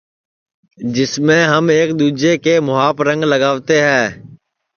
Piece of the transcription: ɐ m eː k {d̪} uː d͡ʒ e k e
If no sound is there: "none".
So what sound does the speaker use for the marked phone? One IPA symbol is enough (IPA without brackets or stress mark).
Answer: d̪